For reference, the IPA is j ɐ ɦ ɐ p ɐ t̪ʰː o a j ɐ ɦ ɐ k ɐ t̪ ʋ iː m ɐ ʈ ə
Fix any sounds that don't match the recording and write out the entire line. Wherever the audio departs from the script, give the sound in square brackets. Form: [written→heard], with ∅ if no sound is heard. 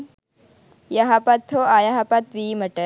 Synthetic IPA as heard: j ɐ ɦ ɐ p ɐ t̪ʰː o a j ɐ ɦ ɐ [k→p] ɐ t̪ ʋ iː m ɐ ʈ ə